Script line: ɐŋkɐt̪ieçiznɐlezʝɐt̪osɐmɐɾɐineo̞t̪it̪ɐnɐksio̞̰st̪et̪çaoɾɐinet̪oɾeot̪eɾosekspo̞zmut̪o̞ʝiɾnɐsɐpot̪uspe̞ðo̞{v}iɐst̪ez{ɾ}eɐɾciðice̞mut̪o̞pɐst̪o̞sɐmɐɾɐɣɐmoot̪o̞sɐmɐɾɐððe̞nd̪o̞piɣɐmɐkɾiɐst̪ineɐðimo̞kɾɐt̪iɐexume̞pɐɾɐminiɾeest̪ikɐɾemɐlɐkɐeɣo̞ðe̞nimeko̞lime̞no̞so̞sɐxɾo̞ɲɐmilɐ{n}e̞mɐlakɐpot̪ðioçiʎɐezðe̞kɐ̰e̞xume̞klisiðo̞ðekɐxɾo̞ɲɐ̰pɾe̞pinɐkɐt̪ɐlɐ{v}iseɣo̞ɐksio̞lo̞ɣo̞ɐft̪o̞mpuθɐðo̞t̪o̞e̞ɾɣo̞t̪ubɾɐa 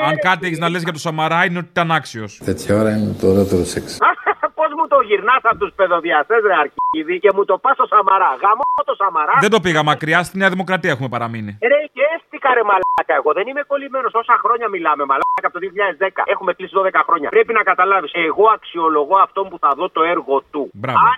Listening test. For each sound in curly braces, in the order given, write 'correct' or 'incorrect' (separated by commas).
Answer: incorrect, correct, incorrect, correct